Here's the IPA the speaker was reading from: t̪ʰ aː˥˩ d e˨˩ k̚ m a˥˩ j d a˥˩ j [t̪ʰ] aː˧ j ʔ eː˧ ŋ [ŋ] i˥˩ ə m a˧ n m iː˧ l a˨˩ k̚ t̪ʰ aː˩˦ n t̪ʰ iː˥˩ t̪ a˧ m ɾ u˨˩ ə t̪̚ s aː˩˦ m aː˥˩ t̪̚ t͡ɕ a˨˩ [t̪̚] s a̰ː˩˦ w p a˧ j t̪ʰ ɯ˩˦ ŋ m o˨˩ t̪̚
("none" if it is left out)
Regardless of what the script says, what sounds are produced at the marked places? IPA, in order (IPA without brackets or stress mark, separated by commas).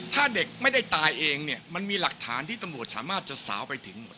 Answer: t̪, n, none